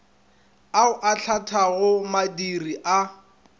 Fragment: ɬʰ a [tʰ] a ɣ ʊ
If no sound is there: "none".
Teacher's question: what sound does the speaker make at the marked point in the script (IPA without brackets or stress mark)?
tʰ